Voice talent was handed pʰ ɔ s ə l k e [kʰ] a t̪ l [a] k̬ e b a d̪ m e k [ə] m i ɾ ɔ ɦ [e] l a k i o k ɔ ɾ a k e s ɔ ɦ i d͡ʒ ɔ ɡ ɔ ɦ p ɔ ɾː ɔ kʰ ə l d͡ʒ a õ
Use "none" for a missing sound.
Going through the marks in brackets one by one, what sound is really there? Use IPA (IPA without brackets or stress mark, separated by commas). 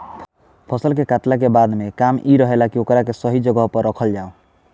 k, a, a, e